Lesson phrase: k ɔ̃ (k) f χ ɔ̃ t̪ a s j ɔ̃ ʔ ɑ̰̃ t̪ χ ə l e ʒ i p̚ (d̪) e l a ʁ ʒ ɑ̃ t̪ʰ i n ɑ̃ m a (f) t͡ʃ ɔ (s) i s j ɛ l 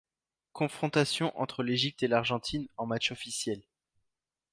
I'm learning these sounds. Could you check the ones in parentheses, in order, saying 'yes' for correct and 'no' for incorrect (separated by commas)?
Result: no, no, no, no